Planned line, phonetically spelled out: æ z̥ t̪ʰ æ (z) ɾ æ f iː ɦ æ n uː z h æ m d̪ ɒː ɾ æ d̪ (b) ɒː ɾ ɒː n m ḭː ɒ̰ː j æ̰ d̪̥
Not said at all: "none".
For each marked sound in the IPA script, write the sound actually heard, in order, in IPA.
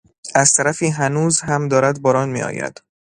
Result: none, b

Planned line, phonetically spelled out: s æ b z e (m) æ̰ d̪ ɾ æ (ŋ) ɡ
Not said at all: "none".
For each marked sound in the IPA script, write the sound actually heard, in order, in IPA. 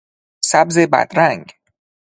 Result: b, ŋ

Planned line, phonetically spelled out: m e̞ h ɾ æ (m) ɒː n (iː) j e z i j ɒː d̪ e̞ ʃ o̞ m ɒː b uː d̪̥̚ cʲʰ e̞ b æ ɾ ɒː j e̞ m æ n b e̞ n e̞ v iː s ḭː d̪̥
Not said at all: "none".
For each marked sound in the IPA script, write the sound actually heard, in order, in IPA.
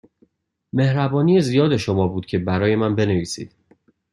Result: b, i

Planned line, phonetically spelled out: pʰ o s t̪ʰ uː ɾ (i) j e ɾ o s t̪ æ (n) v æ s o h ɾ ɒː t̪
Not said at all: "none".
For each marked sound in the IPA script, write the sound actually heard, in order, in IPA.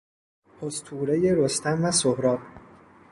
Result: e, m

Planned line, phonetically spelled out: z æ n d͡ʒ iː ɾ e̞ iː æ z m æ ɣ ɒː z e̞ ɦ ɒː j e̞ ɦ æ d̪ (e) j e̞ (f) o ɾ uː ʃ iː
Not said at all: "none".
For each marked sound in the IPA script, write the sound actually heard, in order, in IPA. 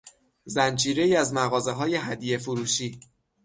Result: i, f

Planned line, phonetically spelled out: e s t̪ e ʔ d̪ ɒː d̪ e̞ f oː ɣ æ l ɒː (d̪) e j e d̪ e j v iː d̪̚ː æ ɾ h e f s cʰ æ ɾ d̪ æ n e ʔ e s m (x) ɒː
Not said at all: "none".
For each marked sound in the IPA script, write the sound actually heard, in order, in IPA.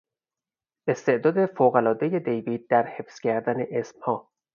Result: d̪, h

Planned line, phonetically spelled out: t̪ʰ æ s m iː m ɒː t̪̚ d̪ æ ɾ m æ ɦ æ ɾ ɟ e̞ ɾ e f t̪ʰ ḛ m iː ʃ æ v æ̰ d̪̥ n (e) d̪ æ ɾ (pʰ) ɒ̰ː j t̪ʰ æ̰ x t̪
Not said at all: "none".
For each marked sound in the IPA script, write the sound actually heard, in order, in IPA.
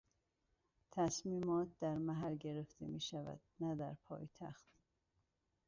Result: æ, pʰ

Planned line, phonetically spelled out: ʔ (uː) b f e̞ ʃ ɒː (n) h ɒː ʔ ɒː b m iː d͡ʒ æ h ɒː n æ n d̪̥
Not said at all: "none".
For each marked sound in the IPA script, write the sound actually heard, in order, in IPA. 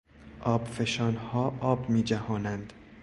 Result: ɒː, n

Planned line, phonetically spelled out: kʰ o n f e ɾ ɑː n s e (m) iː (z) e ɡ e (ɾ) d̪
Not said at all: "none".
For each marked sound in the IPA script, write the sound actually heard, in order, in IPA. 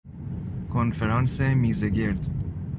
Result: m, z, ɾ

